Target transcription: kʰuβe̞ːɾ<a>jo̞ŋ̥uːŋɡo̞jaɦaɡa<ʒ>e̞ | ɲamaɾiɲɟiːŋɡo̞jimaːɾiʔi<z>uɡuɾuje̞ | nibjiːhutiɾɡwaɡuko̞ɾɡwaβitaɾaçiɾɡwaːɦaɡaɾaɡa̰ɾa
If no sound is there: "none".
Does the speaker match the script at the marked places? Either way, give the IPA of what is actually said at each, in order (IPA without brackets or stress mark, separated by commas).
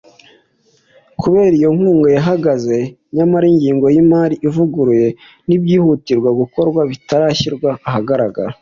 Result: i, z, v